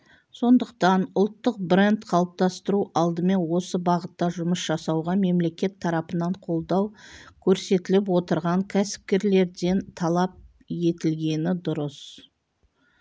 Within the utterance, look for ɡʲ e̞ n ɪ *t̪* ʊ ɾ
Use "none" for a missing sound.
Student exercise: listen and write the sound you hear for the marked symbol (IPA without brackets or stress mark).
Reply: d̪